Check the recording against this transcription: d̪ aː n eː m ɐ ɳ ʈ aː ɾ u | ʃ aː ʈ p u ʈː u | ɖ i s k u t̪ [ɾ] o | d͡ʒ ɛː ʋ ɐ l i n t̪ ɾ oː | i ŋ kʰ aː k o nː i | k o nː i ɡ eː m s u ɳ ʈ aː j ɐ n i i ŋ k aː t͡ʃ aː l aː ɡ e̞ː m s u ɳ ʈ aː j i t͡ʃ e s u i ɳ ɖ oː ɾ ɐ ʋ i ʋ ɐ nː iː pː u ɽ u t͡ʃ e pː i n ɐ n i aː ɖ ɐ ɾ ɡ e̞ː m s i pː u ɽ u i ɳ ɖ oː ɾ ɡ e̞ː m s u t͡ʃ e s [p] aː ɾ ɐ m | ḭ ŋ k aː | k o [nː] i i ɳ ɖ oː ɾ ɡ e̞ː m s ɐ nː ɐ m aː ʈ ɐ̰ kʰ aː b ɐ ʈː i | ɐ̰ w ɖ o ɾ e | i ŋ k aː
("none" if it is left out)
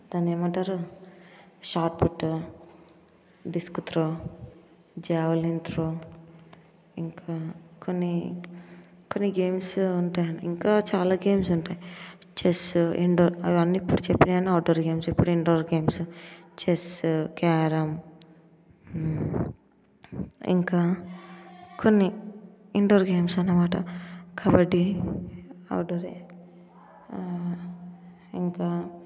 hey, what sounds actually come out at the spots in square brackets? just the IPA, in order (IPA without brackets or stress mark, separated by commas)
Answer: ɾ, k, nː